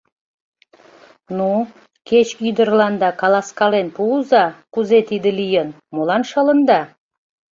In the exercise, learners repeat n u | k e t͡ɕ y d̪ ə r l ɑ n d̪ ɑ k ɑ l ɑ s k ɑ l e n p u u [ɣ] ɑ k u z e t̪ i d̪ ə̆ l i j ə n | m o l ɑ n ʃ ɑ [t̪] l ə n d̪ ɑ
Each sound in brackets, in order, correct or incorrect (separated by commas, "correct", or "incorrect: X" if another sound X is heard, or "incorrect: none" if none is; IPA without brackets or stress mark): incorrect: z, incorrect: none